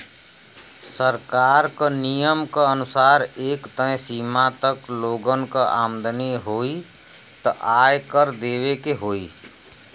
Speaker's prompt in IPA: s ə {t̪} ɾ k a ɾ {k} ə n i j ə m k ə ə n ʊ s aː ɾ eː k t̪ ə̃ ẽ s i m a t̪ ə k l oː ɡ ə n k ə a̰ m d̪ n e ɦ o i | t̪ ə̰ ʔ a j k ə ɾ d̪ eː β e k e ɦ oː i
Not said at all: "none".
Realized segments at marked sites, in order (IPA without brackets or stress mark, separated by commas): none, k